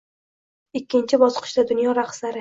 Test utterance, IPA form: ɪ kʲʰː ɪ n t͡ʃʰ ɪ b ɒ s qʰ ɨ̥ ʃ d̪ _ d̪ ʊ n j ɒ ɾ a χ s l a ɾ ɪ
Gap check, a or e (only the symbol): a